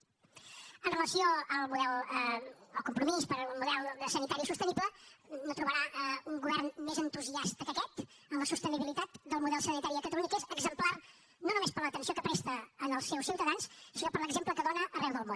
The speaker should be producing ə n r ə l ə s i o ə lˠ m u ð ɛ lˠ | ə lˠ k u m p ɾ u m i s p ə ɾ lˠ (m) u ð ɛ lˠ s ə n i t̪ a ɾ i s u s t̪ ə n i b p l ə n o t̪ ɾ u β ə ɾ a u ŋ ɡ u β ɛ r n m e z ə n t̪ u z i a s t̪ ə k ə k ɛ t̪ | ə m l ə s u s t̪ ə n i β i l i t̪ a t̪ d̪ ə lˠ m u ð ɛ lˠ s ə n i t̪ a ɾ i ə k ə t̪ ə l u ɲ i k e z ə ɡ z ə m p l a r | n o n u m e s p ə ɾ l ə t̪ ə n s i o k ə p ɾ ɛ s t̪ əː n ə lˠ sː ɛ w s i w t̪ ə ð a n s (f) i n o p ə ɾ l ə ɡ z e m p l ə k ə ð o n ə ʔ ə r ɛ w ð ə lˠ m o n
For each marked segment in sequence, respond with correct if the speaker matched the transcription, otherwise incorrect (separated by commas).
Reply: correct, incorrect